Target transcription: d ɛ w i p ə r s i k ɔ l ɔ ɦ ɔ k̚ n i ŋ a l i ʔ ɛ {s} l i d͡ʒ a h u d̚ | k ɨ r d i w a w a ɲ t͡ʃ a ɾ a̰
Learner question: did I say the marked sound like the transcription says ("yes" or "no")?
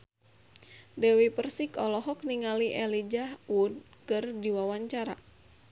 no